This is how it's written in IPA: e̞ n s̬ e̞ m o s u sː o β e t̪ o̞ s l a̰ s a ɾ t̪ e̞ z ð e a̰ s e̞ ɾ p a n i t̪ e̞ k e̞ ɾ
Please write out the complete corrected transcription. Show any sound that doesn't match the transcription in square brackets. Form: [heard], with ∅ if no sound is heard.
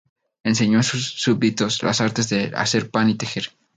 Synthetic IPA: e̞ n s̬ e̞ [ɲ] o s u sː [u] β [i] t̪ o̞ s l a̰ s a ɾ t̪ e̞ z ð e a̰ s e̞ ɾ p a n i t̪ e̞ [x] e̞ ɾ